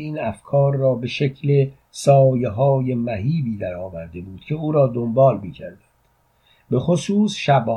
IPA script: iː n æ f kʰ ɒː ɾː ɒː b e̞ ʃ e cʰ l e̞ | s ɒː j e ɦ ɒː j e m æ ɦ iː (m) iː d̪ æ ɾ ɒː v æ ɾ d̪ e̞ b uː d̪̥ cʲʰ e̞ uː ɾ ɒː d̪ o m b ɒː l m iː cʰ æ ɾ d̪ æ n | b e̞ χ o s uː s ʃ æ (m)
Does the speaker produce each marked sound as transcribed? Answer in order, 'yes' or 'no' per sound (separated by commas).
no, no